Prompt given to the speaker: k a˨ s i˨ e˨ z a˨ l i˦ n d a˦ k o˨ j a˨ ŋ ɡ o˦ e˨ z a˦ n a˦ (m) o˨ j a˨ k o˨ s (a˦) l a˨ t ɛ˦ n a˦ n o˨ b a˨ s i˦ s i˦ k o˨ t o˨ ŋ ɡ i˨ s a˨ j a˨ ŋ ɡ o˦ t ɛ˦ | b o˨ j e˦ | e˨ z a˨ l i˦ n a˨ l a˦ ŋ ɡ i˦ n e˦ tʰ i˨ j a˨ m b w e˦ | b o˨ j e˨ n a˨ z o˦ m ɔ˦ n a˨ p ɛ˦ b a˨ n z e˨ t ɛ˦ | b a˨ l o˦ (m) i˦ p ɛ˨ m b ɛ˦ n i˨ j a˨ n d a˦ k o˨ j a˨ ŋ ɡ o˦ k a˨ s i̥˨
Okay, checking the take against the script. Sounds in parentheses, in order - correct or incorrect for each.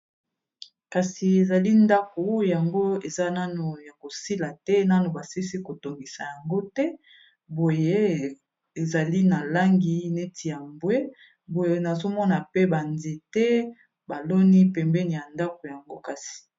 incorrect: n, incorrect: i˦, incorrect: n

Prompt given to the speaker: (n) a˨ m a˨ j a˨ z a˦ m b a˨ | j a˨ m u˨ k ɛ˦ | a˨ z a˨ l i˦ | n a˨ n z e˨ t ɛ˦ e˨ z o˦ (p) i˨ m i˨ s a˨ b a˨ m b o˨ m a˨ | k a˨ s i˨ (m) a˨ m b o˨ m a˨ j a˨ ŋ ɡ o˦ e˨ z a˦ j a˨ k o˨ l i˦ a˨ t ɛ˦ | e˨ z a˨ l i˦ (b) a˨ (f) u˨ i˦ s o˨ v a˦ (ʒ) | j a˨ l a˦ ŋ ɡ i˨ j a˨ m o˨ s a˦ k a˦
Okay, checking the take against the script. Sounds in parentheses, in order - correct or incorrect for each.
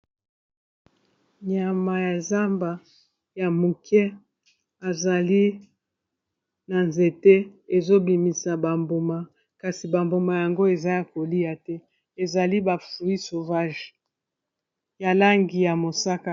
incorrect: ɲ, incorrect: b, incorrect: b, correct, correct, correct

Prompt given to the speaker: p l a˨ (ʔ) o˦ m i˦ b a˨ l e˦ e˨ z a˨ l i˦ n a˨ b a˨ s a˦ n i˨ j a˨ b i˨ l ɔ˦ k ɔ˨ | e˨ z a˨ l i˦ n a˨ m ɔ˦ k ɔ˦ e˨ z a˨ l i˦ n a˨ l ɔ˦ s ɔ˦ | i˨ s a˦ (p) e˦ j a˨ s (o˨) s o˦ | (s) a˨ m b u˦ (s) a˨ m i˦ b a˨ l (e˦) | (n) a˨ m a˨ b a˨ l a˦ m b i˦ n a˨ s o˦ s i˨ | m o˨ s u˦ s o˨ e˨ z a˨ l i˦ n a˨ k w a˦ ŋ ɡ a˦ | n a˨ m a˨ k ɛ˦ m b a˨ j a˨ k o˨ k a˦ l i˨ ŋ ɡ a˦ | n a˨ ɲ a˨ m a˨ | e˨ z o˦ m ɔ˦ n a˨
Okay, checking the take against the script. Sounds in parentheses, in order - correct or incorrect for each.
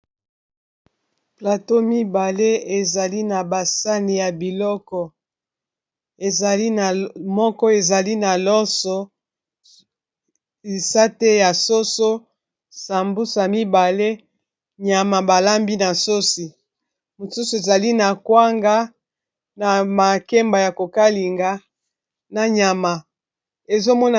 incorrect: t, incorrect: t, incorrect: o˦, correct, correct, correct, incorrect: ɲ

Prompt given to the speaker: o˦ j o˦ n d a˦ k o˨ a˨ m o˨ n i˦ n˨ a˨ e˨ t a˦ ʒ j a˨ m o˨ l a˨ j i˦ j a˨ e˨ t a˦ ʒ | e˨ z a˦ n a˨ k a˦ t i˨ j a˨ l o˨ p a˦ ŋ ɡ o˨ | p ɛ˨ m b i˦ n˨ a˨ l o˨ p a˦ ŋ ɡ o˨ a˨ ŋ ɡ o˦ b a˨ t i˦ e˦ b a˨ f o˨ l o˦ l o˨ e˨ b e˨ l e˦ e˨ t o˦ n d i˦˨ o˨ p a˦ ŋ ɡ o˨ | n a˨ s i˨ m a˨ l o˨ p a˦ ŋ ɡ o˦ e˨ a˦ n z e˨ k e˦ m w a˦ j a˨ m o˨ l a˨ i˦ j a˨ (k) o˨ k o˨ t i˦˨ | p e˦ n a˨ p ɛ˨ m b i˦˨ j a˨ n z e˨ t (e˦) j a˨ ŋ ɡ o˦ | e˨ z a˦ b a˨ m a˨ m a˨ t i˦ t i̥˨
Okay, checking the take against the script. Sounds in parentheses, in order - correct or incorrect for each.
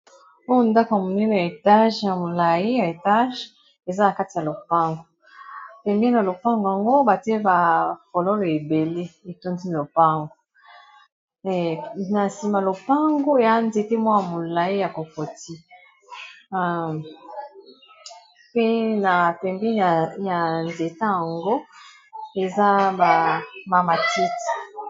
correct, incorrect: a˦

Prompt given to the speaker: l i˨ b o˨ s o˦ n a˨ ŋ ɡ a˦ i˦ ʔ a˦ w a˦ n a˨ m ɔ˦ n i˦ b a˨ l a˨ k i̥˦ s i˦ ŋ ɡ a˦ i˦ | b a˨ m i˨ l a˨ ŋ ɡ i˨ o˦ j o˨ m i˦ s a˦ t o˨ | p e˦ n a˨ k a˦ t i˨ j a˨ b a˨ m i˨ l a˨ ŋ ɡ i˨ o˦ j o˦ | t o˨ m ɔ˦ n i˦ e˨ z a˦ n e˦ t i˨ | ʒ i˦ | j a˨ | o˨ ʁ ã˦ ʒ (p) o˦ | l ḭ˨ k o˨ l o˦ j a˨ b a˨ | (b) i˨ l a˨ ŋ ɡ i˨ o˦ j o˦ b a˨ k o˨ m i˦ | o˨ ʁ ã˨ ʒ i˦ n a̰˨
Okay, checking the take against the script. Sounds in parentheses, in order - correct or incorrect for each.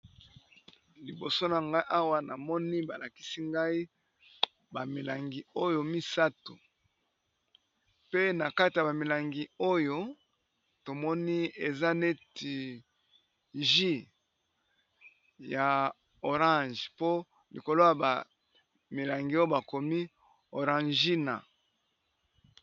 correct, incorrect: m

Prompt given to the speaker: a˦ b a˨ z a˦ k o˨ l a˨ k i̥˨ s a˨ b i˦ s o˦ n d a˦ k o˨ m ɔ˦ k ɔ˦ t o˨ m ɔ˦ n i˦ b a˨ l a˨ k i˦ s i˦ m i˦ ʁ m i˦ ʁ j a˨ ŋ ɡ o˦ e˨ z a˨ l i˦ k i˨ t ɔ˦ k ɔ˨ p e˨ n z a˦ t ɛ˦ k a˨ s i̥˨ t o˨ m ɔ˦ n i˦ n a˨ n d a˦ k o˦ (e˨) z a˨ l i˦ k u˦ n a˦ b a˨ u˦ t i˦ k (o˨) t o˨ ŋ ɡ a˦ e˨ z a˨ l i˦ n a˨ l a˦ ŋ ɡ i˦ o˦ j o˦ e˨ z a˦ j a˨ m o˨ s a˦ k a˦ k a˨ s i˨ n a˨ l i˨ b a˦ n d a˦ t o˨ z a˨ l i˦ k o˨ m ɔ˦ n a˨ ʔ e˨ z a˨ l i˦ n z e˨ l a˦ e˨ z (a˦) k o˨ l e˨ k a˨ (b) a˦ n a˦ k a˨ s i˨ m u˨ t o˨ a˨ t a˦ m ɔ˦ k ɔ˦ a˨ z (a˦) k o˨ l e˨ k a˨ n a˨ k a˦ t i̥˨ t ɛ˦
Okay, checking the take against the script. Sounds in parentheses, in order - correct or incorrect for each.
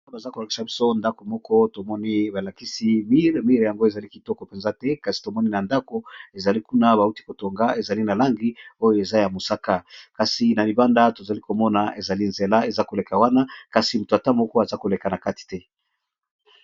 correct, correct, correct, incorrect: w, correct

